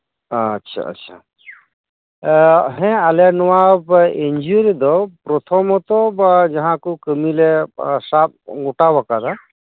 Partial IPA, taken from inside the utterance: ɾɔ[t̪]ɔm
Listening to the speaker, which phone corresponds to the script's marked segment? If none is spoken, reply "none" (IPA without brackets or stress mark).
t̪ʰ